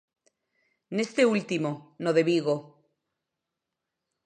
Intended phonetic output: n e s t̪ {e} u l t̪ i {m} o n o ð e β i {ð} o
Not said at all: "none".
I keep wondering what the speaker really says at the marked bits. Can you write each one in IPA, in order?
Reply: e, m, ɣ

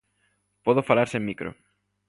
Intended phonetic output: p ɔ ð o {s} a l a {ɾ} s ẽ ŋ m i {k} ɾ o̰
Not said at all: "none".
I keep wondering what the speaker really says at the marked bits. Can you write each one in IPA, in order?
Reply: f, ɾ, k

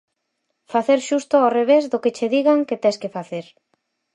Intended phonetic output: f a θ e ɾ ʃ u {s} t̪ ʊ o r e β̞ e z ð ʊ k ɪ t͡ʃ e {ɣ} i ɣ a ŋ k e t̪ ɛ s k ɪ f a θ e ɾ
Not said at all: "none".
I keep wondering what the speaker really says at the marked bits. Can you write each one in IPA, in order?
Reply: s, ð

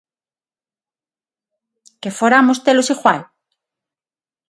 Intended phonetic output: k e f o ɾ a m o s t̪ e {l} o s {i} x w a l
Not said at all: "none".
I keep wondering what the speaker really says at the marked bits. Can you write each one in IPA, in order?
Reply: l, i

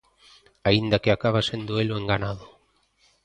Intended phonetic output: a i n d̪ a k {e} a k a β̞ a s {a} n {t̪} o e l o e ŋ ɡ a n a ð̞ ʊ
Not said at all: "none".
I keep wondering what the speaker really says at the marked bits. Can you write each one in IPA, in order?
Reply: e, e, d̪

